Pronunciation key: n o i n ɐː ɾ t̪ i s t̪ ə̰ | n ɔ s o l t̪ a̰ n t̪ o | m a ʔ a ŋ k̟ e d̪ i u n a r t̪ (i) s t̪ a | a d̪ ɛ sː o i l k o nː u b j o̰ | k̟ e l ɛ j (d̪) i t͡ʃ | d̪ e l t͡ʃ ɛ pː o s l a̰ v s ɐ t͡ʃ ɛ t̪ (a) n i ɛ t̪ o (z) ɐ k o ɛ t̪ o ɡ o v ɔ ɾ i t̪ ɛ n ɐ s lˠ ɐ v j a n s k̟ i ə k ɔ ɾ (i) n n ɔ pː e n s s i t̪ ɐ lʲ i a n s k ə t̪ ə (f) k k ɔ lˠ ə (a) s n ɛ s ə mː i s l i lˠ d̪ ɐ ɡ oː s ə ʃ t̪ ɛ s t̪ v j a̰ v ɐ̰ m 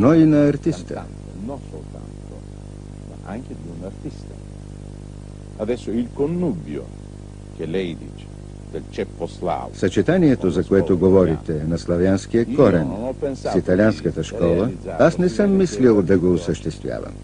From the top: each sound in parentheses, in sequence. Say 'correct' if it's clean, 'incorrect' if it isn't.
correct, correct, correct, correct, incorrect: ɛ, incorrect: ʃ, correct

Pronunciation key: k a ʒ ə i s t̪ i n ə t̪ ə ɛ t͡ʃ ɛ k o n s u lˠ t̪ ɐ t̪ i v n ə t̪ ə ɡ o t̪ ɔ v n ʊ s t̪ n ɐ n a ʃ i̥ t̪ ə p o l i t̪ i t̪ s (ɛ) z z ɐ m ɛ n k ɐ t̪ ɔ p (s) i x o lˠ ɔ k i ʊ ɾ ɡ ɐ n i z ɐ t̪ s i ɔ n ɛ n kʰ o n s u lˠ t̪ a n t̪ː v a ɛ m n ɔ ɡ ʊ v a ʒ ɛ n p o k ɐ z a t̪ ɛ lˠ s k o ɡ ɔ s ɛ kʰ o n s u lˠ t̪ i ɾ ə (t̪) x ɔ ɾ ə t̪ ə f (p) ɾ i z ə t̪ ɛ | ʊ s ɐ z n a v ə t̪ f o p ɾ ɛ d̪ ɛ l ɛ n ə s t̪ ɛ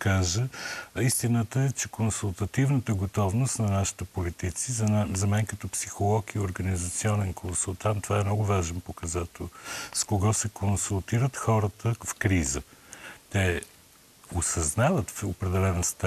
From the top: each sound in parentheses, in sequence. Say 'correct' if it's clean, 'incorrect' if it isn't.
incorrect: i, correct, correct, incorrect: k

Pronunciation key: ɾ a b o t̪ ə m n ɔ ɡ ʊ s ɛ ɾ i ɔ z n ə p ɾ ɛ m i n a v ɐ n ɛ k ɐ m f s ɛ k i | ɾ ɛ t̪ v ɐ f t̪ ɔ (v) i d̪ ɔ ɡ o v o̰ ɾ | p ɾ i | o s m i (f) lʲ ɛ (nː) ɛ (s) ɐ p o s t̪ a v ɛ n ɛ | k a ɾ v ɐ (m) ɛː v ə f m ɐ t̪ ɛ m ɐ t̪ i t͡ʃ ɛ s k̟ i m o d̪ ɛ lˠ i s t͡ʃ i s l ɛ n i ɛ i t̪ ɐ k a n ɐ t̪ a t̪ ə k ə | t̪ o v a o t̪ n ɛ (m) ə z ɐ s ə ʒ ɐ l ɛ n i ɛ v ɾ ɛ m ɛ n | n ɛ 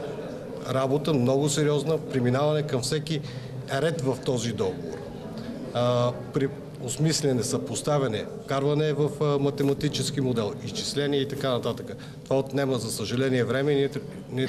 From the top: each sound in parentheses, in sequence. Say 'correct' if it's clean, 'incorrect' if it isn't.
incorrect: z, incorrect: s, incorrect: n, correct, incorrect: n, correct

